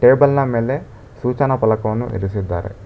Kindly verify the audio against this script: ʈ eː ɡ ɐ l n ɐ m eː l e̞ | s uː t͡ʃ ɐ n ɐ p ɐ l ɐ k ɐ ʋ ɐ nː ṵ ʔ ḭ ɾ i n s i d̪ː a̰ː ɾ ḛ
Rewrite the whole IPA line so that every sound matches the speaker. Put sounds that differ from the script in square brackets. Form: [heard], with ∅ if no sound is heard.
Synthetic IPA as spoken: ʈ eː [b] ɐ l n ɐ m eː l e̞ | s uː t͡ʃ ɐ n ɐ p ɐ l ɐ k ɐ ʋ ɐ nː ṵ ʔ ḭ ɾ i [∅] s i d̪ː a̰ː ɾ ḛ